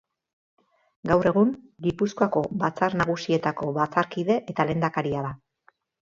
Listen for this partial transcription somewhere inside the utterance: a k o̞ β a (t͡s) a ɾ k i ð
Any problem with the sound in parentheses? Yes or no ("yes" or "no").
no